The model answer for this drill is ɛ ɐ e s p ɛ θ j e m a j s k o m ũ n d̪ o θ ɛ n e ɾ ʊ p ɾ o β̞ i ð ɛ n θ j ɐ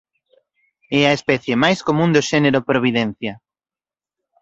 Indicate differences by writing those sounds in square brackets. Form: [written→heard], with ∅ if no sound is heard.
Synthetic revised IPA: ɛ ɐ e s p ɛ θ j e m a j s k o m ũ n d̪ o [θ→ʃ] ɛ n e ɾ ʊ p ɾ o β̞ i ð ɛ n θ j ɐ